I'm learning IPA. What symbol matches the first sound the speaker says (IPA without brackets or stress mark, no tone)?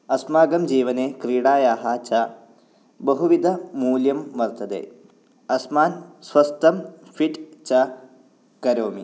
ɐ